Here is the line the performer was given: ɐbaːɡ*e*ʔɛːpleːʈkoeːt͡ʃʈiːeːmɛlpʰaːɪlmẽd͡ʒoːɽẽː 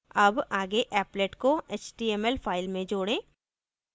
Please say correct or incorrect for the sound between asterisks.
correct